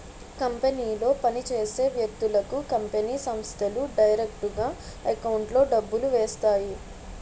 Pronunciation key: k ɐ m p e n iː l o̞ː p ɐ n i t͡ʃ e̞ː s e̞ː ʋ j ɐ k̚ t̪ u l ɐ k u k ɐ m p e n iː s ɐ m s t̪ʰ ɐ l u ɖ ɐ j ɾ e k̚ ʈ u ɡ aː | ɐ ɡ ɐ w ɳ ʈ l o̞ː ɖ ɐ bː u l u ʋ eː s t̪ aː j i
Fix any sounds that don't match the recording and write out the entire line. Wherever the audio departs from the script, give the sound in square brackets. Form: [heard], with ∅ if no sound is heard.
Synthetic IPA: k ɐ m p e n iː l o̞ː p ɐ n i t͡ʃ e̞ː s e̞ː ʋ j ɐ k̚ t̪ u l ɐ k u k ɐ m p e n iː s ɐ m s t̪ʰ ɐ l u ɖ ɐ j ɾ e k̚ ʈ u ɡ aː | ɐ [k] ɐ w ɳ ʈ l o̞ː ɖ ɐ bː u l u ʋ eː s t̪ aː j i